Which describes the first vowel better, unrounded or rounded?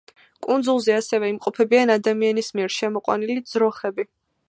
rounded